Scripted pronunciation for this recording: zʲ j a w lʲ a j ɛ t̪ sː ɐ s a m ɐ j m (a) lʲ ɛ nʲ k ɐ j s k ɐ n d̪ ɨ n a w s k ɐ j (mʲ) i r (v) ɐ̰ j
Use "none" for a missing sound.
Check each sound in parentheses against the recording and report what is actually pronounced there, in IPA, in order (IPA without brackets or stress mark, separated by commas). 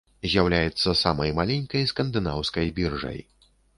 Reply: a, bʲ, ʐ